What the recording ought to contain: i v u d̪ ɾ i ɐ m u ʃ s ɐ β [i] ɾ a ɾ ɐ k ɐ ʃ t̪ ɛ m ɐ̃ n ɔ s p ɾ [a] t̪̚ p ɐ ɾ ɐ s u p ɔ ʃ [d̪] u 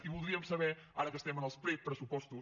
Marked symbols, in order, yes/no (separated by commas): no, no, no